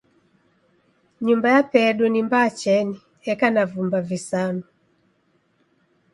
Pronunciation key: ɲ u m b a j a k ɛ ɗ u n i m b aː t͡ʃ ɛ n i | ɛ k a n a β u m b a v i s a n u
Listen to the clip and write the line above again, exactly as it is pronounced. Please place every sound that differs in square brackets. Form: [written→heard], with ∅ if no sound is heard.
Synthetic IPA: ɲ u m b a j a [k→p] ɛ ɗ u n i m b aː t͡ʃ ɛ n i | ɛ k a n a [β→v] u m b a v i s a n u